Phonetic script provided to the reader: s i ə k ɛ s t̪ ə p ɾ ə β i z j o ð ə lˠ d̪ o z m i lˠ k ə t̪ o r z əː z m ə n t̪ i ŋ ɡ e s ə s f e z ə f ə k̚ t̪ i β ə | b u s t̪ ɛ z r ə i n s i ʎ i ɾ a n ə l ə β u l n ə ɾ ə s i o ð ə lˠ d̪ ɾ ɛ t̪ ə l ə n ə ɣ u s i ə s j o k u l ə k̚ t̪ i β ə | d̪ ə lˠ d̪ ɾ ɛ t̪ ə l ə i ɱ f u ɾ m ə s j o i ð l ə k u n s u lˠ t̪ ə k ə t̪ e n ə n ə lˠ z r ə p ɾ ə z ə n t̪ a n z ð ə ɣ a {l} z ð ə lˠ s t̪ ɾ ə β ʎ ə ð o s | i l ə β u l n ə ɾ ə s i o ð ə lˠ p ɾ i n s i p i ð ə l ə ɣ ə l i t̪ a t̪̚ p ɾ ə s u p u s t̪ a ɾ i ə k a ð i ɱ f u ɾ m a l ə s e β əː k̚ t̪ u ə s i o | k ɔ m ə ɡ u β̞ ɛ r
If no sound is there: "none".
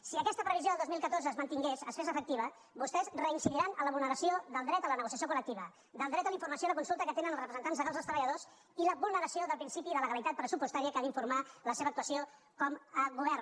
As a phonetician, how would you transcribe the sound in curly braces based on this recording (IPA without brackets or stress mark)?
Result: l